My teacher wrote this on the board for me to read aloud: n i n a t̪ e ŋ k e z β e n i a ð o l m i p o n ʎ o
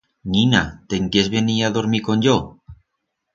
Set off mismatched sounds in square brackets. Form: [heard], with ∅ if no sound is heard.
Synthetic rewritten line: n i n a t̪ e ŋ k e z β e n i a ð o [ɾ] m i [k] o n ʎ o